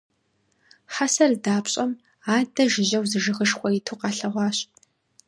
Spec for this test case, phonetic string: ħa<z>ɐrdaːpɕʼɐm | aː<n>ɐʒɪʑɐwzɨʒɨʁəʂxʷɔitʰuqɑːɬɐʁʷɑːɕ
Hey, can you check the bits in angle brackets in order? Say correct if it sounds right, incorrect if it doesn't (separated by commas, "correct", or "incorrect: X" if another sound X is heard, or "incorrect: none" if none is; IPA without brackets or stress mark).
incorrect: s, incorrect: d